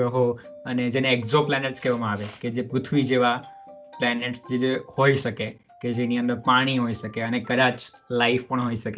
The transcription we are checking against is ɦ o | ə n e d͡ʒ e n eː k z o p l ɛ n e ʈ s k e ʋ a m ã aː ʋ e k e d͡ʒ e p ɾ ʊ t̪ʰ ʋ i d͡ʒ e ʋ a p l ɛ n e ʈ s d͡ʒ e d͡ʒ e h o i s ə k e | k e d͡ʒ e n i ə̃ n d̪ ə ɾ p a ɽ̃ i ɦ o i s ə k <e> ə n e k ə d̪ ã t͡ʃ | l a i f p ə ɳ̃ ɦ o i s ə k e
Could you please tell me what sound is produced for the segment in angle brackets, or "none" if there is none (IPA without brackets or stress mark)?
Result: e